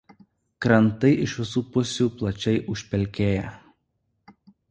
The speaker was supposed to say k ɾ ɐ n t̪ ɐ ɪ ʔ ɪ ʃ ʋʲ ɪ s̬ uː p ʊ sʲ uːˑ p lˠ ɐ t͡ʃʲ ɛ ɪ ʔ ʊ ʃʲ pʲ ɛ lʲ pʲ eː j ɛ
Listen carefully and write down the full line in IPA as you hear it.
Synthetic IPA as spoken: k ɾ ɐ n t̪ ɐ ɪ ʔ ɪ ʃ ʋʲ ɪ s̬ uː p ʊ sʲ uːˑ p lˠ ɐ t͡ʃʲ ɛ ɪ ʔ ʊ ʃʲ pʲ ɛ lʲ kʲ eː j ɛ